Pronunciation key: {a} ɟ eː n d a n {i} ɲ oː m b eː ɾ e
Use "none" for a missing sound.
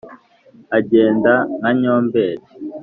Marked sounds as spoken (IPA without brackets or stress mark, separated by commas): a, a